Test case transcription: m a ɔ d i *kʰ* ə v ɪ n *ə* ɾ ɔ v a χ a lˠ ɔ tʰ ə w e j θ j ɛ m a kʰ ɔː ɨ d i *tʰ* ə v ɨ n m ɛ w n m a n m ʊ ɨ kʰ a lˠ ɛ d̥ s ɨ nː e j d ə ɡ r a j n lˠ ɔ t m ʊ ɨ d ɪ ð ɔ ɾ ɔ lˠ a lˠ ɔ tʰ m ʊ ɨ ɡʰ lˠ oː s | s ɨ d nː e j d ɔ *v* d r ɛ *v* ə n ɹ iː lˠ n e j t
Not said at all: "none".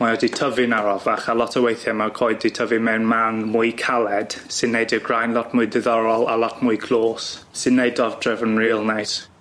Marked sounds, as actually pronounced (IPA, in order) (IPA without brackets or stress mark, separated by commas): tʰ, a, tʰ, v, v